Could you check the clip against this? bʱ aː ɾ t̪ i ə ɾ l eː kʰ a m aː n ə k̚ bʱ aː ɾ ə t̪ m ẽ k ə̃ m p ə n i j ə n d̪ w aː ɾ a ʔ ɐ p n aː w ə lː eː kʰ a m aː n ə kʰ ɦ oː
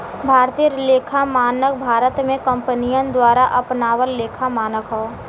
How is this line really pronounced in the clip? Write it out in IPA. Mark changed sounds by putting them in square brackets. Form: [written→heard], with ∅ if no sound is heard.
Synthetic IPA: bʱ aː ɾ t̪ i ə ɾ l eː kʰ a m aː n ə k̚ bʱ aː ɾ ə t̪ m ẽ k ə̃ m p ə n i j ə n d̪ w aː ɾ a ʔ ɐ p n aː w ə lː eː kʰ a m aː n ə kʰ ɦ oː